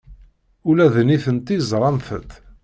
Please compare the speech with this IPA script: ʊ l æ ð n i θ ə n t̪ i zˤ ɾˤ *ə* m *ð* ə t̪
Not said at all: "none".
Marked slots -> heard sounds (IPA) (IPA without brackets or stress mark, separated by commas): ɑ, θ